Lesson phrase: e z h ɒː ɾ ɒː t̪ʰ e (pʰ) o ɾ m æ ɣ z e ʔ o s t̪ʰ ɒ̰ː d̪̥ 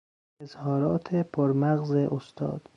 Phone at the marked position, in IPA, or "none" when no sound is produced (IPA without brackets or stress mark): pʰ